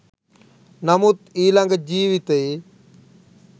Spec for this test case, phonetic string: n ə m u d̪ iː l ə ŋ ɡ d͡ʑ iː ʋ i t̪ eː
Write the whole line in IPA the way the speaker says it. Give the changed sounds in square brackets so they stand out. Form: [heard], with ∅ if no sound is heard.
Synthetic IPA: n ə m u [t̪] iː l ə ŋ ɡ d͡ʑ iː ʋ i t̪ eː

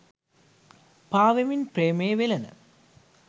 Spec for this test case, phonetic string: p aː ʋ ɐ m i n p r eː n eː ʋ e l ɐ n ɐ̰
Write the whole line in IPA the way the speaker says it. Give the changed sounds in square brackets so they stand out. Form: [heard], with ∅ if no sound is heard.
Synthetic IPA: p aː ʋ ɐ m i n p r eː [m] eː ʋ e l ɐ n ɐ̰

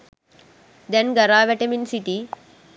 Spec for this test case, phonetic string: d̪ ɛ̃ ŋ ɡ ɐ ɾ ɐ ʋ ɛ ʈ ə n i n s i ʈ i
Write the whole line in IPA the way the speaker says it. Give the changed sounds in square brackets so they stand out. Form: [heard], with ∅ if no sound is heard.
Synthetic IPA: d̪ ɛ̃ [n] ɡ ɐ ɾ [a] ʋ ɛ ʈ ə [m] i n s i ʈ i

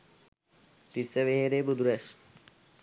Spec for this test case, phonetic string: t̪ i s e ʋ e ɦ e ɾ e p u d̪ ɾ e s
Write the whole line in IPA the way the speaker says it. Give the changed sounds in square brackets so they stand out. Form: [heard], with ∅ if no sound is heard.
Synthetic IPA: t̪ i s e ʋ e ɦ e ɾ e [b] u d̪ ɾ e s

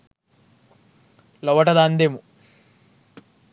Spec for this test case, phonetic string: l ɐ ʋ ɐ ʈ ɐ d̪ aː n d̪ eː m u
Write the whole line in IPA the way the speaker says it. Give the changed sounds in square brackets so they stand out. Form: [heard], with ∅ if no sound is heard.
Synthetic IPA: l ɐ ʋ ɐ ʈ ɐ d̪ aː n d̪ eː m u

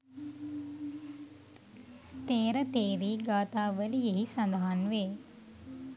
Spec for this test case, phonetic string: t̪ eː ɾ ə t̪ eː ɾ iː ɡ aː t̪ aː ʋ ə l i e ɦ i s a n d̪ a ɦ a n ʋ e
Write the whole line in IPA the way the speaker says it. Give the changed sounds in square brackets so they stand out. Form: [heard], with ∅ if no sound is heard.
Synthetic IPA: t̪ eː ɾ ə t̪ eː ɾ iː ɡ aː t̪ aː ʋ ə l i e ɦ i s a n d̪ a ɦ a n ʋ e

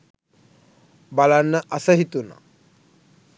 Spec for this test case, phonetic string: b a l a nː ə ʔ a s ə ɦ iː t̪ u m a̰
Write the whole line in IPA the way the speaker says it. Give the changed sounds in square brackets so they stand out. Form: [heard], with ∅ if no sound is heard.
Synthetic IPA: b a l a nː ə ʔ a s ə ɦ [i] t̪ u [n] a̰

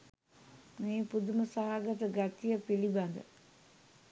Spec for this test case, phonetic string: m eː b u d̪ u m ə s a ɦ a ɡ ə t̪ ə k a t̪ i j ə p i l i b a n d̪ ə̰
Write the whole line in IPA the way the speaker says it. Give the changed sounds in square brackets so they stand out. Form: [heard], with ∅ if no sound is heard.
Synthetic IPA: m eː [p] u d̪ u m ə s a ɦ a ɡ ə t̪ ə [ɡ] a t̪ i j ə p i l i b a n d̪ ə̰

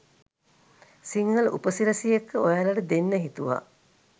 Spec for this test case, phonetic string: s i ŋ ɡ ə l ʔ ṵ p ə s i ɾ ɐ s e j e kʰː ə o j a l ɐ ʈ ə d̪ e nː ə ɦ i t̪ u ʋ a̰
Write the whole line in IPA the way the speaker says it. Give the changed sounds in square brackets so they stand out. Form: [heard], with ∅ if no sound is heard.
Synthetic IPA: s i ŋ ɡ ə l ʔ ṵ p ə s i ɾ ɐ s [i] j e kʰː ə o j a l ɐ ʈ ə d̪ e nː ə ɦ i t̪ u ʋ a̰

